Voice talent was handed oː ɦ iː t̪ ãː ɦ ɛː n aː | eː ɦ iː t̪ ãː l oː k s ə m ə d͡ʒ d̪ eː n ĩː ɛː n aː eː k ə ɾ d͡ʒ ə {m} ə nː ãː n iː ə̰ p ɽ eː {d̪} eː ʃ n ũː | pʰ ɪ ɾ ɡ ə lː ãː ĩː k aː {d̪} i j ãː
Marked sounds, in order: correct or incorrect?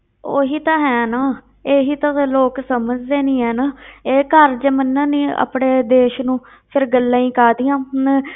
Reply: correct, correct, correct

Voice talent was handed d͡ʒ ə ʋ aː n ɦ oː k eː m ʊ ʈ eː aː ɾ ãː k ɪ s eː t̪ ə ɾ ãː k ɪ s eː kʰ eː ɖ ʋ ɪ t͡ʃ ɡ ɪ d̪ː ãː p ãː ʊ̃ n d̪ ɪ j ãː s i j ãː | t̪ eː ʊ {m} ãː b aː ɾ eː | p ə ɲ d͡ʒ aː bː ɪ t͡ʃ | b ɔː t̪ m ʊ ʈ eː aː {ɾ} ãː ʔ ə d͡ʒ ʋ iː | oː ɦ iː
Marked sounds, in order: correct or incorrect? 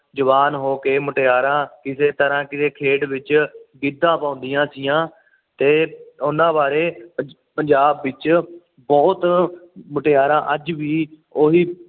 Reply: incorrect, correct

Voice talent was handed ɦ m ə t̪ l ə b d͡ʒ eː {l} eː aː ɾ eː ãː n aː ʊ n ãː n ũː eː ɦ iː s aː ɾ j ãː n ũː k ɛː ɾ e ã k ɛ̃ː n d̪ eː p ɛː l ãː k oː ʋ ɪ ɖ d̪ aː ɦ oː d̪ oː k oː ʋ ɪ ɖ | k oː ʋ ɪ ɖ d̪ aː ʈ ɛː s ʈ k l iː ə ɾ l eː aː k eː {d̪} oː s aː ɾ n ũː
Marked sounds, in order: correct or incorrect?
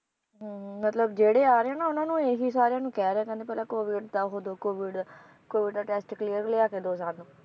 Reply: incorrect, correct

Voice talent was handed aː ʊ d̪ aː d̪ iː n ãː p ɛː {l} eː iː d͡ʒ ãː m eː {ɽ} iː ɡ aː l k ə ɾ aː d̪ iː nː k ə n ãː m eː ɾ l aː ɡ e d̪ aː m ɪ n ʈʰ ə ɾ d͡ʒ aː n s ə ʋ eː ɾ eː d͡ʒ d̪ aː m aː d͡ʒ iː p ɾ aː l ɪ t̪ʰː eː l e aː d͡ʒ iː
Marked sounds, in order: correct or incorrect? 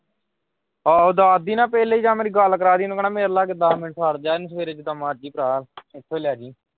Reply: correct, incorrect

